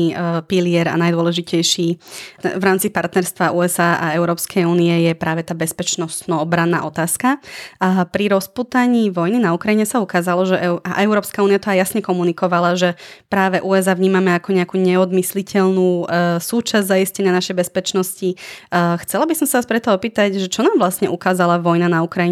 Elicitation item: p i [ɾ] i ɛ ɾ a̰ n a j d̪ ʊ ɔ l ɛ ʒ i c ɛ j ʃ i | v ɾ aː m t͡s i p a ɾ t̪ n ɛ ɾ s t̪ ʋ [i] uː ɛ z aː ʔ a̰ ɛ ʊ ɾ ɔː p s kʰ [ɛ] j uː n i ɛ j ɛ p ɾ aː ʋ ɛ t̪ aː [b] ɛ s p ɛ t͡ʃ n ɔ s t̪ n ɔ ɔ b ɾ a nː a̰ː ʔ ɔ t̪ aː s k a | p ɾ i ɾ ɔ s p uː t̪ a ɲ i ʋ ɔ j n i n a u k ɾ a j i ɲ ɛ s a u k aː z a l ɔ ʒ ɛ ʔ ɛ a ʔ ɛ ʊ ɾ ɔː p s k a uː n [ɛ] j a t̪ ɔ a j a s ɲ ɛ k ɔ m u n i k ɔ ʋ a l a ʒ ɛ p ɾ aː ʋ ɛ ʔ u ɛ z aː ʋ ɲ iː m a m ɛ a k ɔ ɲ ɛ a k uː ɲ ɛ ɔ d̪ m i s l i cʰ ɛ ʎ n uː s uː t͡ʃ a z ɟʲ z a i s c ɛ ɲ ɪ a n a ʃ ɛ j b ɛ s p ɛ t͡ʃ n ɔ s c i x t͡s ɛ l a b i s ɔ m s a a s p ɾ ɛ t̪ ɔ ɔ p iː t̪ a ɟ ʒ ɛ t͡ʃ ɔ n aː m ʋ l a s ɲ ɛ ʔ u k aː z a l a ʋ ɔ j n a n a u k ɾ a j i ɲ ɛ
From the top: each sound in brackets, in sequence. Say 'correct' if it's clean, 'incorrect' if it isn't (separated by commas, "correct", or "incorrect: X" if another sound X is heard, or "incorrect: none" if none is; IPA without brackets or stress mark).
incorrect: l, incorrect: a, correct, correct, incorrect: i